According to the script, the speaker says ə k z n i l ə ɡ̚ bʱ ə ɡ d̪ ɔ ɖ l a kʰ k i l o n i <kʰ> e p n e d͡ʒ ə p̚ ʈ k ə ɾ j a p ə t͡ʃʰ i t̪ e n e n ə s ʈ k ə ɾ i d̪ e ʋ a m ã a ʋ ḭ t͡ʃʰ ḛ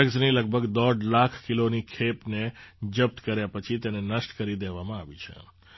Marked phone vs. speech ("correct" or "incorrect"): correct